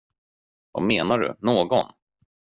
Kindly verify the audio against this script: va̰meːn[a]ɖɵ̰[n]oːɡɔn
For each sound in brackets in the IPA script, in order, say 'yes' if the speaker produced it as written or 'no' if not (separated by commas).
yes, yes